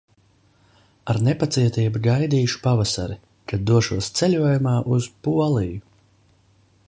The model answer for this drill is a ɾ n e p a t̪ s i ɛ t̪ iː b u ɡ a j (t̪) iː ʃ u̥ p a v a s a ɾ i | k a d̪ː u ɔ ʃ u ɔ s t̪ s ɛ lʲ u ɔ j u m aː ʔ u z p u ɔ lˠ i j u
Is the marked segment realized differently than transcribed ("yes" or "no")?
yes